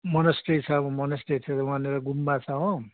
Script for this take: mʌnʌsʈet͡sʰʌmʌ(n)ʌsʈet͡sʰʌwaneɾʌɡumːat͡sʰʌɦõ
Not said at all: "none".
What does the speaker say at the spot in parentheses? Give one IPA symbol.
n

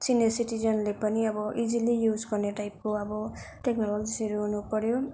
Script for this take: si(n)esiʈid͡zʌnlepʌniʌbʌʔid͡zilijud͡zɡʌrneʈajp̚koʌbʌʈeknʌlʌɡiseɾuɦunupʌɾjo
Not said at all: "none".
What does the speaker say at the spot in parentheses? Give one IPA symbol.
n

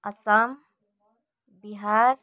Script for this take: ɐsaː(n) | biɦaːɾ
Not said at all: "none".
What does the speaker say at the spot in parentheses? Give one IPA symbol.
m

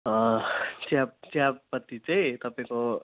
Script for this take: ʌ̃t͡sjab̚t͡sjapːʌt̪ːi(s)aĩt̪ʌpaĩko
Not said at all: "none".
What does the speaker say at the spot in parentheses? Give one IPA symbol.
t͡s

